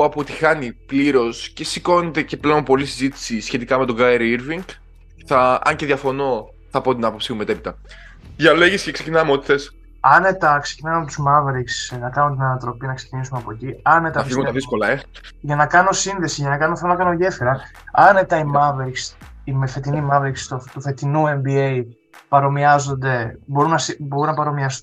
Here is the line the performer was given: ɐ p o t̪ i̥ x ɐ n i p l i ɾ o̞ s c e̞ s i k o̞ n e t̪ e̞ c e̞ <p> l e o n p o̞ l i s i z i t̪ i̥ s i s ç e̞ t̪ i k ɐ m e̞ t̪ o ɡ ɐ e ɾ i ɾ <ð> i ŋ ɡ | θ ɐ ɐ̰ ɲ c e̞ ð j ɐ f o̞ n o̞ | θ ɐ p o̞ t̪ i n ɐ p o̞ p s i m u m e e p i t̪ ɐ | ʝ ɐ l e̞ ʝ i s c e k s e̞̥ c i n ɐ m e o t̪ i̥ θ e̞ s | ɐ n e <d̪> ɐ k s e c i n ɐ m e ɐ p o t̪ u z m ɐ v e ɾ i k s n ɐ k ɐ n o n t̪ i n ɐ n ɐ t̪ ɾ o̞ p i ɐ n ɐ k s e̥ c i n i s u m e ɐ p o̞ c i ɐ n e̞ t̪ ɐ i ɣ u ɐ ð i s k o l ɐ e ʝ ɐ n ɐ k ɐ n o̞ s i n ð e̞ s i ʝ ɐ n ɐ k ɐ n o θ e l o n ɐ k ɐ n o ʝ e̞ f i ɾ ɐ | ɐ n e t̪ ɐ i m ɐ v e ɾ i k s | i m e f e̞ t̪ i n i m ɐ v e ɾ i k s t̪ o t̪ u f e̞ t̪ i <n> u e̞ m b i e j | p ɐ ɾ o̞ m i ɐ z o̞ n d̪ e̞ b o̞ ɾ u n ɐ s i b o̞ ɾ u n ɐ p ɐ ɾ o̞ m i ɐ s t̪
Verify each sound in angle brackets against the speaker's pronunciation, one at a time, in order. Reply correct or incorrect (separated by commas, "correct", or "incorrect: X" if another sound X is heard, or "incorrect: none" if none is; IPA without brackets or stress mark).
correct, incorrect: v, incorrect: t̪, correct